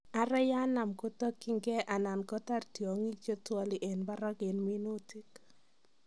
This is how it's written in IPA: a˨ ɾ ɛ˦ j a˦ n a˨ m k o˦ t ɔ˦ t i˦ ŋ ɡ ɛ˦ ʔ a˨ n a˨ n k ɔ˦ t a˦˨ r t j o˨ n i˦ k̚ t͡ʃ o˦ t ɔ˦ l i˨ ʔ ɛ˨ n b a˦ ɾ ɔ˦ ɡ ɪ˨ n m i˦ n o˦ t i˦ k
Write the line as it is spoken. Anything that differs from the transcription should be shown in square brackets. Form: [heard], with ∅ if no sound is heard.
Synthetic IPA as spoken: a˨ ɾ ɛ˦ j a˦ n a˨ m k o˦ t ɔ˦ [k] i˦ ŋ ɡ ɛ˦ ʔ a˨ n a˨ n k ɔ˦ t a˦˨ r t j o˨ [ŋ] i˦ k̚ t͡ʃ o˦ t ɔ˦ l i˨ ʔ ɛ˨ n b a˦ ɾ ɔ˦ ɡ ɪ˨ n m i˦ n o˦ t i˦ k